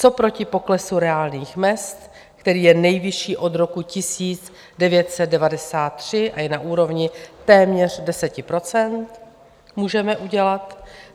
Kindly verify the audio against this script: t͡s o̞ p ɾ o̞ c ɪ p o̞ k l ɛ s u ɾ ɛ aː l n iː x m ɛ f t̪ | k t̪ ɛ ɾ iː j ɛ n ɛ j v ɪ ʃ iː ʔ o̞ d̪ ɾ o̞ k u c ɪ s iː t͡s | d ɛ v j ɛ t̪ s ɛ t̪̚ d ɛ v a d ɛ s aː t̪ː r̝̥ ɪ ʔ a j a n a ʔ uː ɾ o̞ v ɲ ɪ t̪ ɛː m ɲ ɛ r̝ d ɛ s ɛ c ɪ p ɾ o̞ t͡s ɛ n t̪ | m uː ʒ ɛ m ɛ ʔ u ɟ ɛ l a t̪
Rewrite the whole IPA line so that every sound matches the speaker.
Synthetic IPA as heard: t͡s o̞ p ɾ o̞ c ɪ p o̞ k l ɛ s u ɾ ɛ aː l n iː x m ɛ s t̪ | k t̪ ɛ ɾ iː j ɛ n ɛ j v ɪ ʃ iː ʔ o̞ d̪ ɾ o̞ k u c ɪ s iː t͡s | d ɛ v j ɛ t̪ s ɛ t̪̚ d ɛ v a d ɛ s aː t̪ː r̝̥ ɪ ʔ a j ɛ n a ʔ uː ɾ o̞ v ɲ ɪ t̪ ɛː m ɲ ɛ r̝ d ɛ s ɛ c ɪ p ɾ o̞ t͡s ɛ n t̪ | m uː ʒ ɛ m ɛ ʔ u ɟ ɛ l a t̪